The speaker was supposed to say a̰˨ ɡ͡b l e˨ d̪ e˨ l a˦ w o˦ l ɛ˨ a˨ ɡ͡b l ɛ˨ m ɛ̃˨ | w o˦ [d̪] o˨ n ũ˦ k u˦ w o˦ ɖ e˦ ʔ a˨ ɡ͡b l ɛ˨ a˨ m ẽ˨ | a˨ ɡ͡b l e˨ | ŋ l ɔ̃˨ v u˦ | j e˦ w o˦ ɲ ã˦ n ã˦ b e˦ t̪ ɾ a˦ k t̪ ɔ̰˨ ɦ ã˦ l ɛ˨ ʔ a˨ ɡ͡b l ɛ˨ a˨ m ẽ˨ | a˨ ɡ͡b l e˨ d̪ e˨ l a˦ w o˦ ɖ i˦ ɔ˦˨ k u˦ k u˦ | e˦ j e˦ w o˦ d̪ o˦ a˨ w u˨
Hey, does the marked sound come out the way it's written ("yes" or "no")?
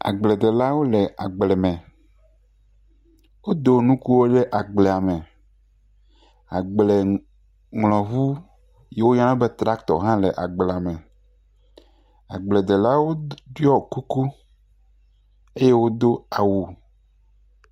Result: yes